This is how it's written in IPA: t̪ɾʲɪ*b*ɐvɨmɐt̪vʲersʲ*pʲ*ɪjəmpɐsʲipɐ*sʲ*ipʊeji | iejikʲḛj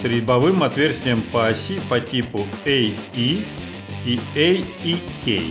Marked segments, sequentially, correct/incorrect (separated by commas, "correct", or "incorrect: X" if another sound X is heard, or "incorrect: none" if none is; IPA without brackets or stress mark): correct, incorrect: tʲ, incorrect: tʲ